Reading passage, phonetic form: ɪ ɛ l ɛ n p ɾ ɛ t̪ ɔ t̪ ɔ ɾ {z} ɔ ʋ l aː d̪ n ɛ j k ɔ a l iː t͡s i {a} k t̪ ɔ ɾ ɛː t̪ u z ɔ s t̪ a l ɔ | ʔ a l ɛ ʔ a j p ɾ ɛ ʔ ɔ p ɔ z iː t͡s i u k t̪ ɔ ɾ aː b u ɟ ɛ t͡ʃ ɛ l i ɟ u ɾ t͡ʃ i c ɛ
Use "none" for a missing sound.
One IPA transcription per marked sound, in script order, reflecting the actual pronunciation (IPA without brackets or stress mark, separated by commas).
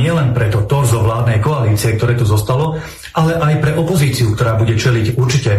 z, ɛ